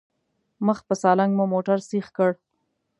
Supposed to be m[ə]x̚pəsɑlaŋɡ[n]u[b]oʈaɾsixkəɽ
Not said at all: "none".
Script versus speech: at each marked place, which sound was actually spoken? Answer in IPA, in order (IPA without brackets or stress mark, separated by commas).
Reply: ə, m, m